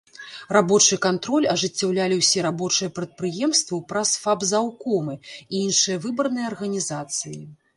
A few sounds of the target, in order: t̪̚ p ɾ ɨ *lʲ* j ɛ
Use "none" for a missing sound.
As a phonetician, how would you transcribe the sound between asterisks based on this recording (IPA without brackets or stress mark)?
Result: none